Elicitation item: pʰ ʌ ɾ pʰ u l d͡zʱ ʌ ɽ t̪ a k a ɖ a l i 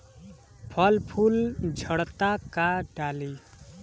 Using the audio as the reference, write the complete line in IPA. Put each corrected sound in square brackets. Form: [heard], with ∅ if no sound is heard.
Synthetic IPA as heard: pʰ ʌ [l] pʰ u l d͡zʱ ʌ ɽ t̪ a k a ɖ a l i